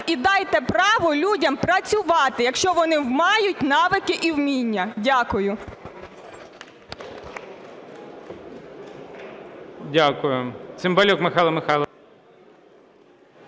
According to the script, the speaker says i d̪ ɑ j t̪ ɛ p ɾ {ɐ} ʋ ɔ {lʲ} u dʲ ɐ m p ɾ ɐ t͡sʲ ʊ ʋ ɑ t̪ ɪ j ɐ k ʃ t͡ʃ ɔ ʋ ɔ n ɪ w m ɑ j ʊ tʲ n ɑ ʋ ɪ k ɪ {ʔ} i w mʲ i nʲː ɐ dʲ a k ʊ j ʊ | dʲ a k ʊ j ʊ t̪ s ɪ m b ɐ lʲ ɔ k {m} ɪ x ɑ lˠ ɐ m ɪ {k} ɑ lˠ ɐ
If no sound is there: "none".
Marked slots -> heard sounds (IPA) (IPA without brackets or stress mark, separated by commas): ɑ, lʲ, ʔ, m, x